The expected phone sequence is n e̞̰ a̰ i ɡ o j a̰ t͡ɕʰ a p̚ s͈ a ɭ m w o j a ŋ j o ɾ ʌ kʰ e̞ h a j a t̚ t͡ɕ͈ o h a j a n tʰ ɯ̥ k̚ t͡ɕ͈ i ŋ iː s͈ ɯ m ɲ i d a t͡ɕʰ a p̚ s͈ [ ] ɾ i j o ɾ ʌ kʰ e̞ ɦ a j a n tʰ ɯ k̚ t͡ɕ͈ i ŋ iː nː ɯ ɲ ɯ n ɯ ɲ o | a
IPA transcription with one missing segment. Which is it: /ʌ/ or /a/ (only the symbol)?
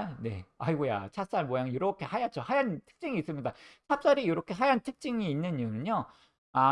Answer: a